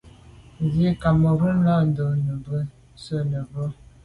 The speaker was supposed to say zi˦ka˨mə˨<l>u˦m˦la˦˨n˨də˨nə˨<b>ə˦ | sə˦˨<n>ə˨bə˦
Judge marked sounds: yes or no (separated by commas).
no, yes, yes